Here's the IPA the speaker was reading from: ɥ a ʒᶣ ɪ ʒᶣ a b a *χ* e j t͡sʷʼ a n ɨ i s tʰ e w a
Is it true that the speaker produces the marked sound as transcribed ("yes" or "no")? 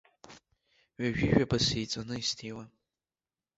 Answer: no